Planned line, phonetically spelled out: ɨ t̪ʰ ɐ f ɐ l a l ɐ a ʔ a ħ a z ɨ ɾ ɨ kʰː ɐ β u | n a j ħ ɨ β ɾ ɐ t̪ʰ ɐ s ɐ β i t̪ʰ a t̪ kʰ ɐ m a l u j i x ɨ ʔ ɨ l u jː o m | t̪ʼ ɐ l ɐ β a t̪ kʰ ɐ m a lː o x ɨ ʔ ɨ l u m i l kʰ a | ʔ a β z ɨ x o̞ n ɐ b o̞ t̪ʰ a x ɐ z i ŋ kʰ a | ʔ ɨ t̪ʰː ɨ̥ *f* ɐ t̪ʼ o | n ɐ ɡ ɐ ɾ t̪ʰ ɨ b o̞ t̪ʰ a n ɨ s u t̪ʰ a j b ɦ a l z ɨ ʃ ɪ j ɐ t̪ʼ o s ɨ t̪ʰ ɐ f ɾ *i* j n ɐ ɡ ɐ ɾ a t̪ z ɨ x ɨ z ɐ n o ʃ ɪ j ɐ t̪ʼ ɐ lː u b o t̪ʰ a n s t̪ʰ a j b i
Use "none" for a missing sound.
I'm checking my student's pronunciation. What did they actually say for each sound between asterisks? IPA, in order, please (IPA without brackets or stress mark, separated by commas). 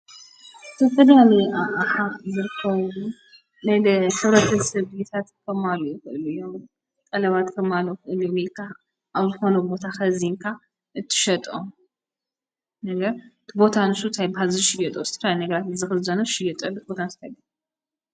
ʃ, a